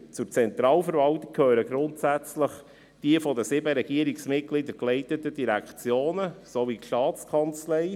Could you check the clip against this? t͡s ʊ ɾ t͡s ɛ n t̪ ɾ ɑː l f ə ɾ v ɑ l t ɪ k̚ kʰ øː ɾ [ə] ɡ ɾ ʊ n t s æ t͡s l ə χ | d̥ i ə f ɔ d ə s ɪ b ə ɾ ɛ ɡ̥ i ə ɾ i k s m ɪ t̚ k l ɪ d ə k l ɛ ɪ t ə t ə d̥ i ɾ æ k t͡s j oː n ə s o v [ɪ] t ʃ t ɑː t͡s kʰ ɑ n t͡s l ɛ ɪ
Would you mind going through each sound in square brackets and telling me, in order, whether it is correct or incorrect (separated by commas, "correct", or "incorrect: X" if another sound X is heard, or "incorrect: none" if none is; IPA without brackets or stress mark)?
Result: correct, incorrect: i